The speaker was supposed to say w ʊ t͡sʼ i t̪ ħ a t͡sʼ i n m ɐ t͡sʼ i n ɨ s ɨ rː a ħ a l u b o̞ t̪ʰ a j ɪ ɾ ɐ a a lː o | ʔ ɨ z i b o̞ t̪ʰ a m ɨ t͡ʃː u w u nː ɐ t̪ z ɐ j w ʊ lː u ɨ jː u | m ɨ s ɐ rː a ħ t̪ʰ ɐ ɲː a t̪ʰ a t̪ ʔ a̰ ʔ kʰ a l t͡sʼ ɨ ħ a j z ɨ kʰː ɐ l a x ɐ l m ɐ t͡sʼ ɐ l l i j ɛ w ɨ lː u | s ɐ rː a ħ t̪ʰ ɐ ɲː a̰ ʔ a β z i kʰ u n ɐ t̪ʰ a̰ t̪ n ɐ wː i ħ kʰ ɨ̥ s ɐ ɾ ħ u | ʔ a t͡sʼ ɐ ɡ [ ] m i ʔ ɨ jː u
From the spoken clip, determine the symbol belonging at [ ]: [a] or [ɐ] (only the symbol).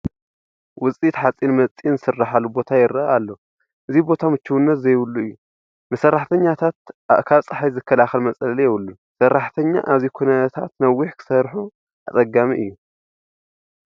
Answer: a